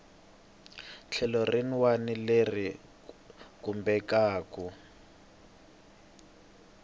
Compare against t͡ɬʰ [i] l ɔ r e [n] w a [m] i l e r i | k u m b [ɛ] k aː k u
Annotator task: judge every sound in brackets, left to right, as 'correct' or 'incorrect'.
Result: incorrect, correct, incorrect, correct

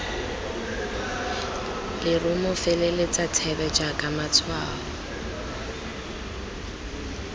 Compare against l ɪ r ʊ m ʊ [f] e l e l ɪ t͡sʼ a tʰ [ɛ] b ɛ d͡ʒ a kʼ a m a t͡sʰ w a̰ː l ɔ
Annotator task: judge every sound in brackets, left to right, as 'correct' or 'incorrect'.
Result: correct, correct

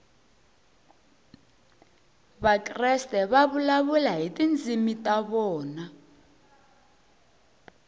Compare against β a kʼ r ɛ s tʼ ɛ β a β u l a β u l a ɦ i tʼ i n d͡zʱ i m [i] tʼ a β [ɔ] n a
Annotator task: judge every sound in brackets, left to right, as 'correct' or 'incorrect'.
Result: correct, incorrect

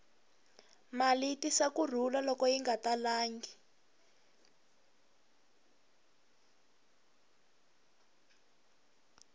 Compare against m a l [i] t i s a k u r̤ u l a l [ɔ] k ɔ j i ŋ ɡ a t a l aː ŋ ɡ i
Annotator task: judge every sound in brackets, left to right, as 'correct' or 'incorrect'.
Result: correct, correct

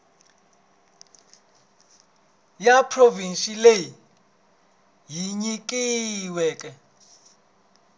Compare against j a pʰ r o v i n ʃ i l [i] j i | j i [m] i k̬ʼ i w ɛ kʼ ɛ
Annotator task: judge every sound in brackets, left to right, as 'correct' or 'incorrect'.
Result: incorrect, incorrect

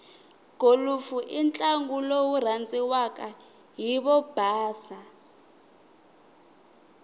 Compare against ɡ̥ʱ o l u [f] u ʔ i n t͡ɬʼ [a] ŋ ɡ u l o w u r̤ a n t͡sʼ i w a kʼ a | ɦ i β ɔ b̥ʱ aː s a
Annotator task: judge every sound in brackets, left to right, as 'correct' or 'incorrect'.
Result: correct, correct

